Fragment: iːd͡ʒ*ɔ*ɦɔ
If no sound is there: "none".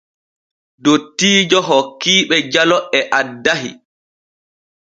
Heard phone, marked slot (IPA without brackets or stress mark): ɔ